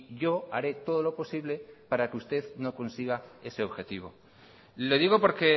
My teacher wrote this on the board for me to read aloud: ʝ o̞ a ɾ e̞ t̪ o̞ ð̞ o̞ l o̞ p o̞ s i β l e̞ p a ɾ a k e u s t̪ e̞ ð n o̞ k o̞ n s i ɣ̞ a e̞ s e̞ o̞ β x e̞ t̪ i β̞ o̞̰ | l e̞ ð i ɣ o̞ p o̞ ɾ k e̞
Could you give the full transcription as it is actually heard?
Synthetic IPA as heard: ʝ o̞ a ɾ e̞ t̪ o̞ ð̞ o̞ l o̞ p o̞ s i β l e̞ p a ɾ a k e u s t̪ e̞ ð n o̞ k o̞ n s i ɣ̞ a e̞ s e̞ o̞ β x e̞ t̪ i β̞ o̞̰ | l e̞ ð i ɣ o̞ p o̞ ɾ k e̞